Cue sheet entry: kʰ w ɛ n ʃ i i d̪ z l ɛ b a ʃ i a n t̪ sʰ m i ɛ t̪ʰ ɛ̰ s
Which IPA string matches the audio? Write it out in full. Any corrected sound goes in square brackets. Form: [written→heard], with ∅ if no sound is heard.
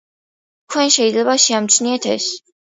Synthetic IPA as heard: kʰ w ɛ n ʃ [i→ɛ] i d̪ z l ɛ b a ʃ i a [n→m] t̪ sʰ [m→n] i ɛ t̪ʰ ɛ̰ s